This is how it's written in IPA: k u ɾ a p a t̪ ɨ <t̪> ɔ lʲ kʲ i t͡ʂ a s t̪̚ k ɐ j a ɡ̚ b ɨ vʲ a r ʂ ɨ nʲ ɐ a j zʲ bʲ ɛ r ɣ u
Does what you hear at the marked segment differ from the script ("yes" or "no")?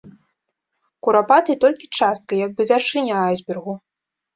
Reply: no